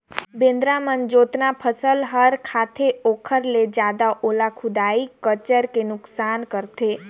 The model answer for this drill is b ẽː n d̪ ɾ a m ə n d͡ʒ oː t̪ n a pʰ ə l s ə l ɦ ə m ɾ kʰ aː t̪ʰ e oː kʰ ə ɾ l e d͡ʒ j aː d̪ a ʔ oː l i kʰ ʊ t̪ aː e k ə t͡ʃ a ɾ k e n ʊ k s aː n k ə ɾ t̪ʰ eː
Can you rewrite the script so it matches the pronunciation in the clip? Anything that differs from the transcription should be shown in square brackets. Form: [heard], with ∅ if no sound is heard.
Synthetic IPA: b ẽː n d̪ ɾ a m ə n d͡ʒ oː t̪ n a pʰ ə [∅] s ə l ɦ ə [∅] ɾ kʰ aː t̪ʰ e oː kʰ ə ɾ l e d͡ʒ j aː d̪ a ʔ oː l [a] kʰ ʊ [d̪] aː [i] k ə t͡ʃ [ə] ɾ k e n ʊ k s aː n k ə ɾ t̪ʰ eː

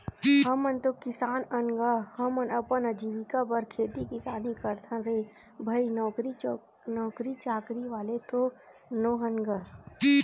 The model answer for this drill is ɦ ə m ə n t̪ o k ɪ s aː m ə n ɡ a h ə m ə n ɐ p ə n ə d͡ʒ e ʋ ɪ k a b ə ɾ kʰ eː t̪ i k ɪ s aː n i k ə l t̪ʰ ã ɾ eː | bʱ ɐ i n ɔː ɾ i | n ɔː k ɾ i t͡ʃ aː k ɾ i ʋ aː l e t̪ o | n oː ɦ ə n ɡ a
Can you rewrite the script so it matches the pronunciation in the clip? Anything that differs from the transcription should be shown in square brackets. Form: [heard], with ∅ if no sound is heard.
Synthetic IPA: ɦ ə m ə n t̪ o k ɪ s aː [n] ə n ɡ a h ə m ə n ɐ p ə n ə d͡ʒ [i] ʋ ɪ k a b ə ɾ kʰ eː t̪ i k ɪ s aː n i k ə [ɾ] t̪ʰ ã ɾ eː | bʱ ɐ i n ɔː ɾ i | n ɔː k ɾ i t͡ʃ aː k ɾ i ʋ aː l e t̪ o | n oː ɦ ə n ɡ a

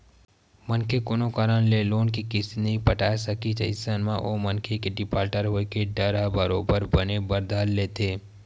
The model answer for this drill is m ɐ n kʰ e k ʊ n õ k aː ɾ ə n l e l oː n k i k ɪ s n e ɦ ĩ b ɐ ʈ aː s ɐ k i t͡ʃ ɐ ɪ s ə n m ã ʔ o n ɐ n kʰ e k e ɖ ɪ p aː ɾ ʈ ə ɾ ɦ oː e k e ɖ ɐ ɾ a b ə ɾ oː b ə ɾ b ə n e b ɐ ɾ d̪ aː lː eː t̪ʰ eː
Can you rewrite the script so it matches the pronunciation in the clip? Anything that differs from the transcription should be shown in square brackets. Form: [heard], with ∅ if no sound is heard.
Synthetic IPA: m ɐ n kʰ e k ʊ n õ k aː ɾ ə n l e l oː n k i k ɪ s n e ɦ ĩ [p] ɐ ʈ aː s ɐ k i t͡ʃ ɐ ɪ s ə n m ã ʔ o [m] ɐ n kʰ e k e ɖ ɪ p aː ɾ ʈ ə ɾ ɦ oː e k e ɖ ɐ ɾ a b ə ɾ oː b ə ɾ b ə n e b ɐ ɾ d̪ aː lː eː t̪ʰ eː

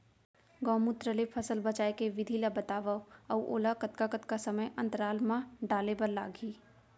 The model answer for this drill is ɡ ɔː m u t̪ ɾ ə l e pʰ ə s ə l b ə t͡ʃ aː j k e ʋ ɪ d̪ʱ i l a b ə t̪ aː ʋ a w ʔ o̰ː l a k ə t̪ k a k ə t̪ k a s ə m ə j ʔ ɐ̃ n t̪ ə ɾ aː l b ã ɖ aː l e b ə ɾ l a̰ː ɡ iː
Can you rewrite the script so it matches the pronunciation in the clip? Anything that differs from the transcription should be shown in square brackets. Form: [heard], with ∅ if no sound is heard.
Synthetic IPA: ɡ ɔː m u t̪ ɾ ə l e pʰ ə s ə l b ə t͡ʃ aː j k e ʋ ɪ d̪ʱ i l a b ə t̪ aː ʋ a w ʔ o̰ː l a k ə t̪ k a k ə t̪ k a s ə m ə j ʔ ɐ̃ n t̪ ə ɾ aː l [m] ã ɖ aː l e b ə ɾ l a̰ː ɡ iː

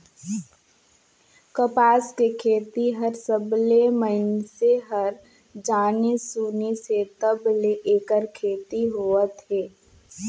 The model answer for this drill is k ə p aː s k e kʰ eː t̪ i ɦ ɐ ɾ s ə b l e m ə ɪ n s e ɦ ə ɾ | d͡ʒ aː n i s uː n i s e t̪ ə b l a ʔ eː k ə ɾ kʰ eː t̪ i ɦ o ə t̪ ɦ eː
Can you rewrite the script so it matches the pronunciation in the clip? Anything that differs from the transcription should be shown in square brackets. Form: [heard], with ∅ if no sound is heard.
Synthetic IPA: k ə p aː s k e kʰ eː t̪ i ɦ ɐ ɾ s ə b l e m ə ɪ n s e ɦ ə ɾ | d͡ʒ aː n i s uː n i s e t̪ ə b l [e] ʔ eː k ə ɾ kʰ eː t̪ i ɦ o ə t̪ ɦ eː

